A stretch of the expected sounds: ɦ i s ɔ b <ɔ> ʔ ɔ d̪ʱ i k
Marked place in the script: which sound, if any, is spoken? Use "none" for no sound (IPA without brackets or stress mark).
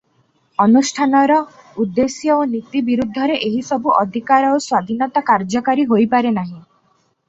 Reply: u